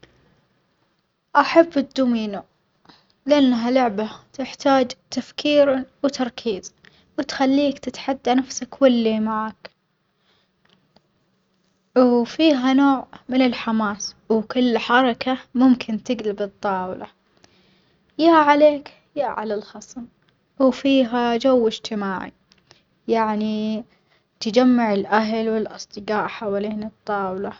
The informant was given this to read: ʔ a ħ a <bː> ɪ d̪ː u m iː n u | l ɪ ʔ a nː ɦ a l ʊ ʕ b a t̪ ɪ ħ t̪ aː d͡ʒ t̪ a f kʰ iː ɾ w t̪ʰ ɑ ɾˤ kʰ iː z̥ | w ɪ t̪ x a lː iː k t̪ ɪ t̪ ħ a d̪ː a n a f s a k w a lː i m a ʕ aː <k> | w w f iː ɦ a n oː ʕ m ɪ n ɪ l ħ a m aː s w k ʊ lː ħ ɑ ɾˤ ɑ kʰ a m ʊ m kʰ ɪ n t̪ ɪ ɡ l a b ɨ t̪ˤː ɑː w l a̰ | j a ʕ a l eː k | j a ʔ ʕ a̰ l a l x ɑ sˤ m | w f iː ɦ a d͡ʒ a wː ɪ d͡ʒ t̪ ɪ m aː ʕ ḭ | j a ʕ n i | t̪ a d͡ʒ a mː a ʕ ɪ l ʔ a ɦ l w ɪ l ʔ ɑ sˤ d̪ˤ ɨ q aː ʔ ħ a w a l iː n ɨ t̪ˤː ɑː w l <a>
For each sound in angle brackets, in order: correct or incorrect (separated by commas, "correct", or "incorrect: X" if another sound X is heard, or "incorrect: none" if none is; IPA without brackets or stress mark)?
correct, correct, correct